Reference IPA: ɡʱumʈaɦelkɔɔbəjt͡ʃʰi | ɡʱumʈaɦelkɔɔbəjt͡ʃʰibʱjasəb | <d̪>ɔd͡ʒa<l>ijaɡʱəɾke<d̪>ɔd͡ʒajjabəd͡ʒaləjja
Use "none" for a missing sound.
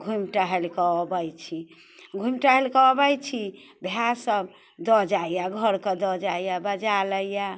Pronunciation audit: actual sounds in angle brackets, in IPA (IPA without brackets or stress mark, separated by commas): d̪, none, d̪